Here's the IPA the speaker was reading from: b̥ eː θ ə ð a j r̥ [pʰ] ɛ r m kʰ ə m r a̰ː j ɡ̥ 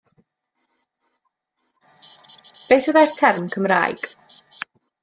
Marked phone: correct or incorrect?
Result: incorrect